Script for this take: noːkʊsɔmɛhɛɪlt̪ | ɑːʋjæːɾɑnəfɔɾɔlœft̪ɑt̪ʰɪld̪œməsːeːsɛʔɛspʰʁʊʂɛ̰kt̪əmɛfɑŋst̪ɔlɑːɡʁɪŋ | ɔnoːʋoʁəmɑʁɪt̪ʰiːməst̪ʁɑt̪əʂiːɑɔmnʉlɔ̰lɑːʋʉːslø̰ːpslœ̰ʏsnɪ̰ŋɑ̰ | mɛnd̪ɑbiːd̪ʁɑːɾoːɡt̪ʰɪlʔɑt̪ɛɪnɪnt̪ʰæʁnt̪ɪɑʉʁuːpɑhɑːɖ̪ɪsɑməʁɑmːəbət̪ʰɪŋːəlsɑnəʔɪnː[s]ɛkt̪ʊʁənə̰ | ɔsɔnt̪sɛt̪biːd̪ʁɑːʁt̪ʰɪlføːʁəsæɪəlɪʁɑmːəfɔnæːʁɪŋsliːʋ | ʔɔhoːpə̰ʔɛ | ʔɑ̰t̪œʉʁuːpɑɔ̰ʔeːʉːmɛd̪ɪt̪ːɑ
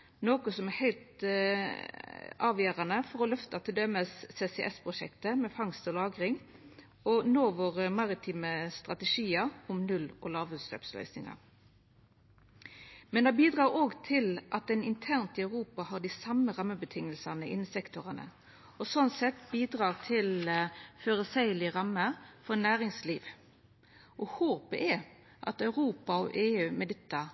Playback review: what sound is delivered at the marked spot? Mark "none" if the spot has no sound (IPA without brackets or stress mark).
s